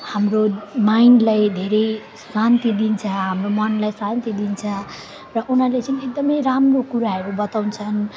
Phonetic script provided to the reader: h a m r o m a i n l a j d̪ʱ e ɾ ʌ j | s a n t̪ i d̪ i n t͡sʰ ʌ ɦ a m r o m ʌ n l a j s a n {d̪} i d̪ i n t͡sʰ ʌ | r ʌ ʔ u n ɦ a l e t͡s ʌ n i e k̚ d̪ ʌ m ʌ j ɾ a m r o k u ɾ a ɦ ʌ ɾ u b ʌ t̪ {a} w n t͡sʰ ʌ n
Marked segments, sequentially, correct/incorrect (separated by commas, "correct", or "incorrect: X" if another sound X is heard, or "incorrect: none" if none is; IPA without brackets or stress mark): incorrect: t̪, correct